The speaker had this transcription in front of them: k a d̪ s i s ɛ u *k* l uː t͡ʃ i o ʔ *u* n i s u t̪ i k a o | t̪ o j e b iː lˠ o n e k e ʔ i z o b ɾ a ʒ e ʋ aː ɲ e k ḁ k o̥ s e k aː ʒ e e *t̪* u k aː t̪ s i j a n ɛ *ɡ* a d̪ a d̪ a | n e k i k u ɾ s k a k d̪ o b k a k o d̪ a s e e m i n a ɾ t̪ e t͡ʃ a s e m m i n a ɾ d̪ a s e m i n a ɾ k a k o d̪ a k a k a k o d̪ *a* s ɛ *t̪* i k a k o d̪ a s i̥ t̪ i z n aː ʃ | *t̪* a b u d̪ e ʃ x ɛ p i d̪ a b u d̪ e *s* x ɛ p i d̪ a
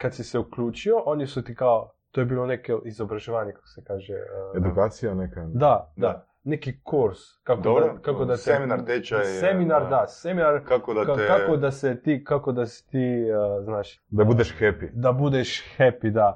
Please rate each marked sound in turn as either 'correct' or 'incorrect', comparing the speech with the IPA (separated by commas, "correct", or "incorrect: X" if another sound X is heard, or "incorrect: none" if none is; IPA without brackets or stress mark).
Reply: correct, incorrect: o, incorrect: d̪, incorrect: k, correct, correct, incorrect: d̪, incorrect: ʃ